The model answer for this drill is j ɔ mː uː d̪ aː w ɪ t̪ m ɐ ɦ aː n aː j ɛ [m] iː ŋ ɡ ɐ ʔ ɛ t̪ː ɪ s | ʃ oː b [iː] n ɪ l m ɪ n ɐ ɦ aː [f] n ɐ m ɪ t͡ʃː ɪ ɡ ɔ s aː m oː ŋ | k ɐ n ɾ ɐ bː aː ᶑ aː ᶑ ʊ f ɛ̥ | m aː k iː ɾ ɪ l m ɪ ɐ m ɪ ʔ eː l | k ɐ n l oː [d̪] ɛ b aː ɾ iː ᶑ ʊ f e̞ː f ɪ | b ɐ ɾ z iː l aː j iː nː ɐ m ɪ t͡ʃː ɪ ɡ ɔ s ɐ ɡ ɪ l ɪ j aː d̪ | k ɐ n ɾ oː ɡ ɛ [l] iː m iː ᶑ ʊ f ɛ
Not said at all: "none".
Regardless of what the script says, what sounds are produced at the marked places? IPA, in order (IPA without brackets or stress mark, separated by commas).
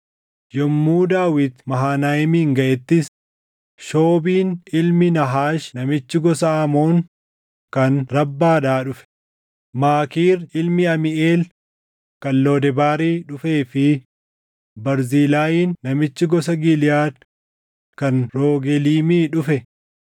m, iː, ʃ, d̪, l